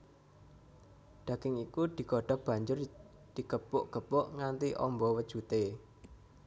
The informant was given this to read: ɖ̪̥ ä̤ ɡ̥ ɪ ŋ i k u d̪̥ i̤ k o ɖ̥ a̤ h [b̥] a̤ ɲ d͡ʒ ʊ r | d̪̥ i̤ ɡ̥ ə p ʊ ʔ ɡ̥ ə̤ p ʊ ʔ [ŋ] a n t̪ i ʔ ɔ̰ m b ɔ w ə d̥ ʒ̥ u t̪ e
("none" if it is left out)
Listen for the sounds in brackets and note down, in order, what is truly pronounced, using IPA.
b̥, ŋ

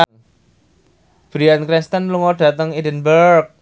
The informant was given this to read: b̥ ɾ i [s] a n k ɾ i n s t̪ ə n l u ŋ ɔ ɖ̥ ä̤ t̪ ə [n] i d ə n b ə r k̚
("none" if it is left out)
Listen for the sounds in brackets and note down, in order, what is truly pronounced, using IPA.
none, ŋ

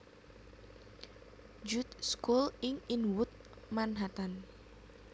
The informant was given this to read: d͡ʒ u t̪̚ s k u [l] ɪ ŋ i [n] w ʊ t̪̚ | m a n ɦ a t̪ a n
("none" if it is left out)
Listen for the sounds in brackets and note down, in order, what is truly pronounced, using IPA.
l, n

